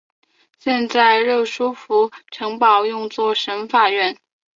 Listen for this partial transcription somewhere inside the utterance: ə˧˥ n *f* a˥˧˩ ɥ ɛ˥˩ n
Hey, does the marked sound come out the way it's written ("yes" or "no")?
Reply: yes